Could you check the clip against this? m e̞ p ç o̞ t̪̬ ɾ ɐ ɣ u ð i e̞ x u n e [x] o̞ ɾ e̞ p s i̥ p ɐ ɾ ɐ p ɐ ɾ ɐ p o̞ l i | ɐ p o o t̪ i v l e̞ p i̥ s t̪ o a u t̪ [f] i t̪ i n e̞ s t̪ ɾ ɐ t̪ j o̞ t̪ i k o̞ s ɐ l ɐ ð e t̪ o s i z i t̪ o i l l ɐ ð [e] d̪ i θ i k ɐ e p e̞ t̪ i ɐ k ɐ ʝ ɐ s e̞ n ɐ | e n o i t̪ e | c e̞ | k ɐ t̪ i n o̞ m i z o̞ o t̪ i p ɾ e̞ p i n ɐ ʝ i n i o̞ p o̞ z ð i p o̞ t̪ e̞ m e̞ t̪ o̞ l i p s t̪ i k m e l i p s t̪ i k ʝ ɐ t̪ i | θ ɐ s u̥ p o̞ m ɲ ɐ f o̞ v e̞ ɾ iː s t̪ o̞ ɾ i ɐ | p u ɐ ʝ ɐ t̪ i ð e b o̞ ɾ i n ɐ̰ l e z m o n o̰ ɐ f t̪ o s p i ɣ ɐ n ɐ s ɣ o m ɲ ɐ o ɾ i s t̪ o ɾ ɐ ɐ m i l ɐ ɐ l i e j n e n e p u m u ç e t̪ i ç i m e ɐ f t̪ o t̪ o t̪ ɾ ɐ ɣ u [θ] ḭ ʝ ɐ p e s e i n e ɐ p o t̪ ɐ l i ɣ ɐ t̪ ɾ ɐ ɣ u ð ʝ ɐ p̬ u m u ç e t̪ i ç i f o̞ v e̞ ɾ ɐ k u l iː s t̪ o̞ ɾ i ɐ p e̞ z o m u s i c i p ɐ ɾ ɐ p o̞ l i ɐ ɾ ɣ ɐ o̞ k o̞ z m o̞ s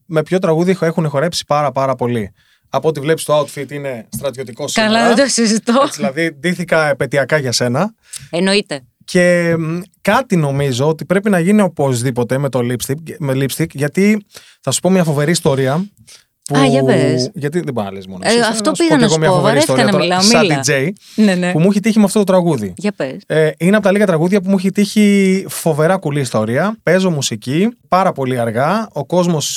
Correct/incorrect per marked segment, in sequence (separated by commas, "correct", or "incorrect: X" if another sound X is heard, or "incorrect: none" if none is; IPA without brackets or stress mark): correct, correct, incorrect: i, incorrect: ð